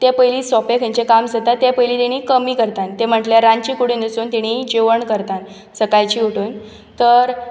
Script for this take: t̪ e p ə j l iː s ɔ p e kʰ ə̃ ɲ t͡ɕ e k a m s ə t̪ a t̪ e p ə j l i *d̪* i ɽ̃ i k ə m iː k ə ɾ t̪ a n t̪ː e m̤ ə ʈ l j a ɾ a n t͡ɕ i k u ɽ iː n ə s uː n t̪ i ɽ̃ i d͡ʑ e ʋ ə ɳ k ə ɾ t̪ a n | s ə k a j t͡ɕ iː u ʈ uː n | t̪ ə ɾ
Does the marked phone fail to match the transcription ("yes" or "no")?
yes